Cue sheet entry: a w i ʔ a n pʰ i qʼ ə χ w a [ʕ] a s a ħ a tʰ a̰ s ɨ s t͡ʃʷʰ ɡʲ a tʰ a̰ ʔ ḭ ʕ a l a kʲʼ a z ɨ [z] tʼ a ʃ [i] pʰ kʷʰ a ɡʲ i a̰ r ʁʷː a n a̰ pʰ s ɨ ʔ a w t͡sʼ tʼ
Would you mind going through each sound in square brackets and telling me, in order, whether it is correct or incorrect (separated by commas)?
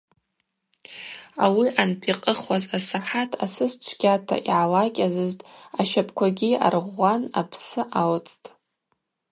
incorrect, correct, incorrect